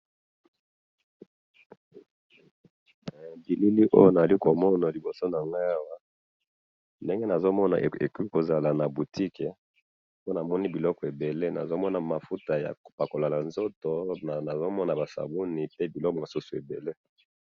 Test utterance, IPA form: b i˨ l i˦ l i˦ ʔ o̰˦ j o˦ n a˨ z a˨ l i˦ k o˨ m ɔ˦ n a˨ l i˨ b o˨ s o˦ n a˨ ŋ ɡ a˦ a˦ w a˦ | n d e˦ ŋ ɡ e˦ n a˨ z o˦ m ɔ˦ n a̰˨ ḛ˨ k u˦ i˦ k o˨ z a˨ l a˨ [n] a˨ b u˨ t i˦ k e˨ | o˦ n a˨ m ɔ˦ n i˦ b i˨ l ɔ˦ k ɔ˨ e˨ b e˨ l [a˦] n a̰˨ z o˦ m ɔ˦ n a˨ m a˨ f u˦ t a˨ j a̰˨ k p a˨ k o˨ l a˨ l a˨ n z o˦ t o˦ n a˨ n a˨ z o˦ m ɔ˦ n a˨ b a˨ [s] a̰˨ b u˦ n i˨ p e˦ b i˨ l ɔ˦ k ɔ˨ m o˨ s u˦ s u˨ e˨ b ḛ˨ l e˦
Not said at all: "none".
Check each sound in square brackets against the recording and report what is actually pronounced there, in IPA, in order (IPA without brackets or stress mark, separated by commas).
n, e˦, s